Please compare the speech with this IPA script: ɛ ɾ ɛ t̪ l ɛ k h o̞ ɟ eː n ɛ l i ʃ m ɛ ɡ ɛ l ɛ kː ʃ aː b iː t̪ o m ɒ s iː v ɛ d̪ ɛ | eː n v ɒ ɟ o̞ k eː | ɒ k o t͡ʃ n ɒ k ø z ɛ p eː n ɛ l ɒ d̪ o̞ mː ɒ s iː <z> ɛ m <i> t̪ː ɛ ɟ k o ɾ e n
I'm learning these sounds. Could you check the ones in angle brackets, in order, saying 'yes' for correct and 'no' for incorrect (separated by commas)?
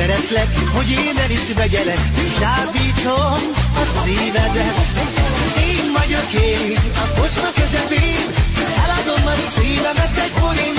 no, no